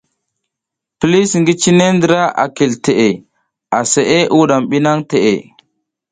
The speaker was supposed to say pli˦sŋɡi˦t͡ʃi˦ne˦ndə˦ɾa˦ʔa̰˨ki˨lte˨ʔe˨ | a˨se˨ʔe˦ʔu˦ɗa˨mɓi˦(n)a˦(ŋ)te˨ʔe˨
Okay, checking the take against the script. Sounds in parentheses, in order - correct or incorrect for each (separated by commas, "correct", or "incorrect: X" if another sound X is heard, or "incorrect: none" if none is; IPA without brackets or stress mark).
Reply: correct, correct